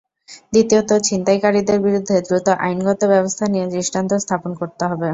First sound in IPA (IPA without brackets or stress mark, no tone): d̪